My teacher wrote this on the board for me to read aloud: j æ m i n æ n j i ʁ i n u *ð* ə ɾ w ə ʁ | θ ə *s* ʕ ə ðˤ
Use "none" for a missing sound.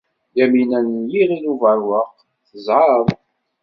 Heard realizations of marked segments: v, z

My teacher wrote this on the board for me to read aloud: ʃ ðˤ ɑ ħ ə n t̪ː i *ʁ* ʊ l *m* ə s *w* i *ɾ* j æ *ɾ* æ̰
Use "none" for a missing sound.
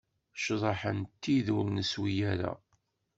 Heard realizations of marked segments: ð, n, w, none, ɾ

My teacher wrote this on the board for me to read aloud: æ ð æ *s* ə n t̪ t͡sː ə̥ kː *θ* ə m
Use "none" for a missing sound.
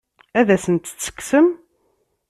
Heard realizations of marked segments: s, s

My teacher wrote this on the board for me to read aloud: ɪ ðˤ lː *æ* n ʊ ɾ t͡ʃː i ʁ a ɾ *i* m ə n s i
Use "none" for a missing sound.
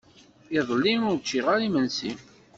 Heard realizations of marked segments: i, i

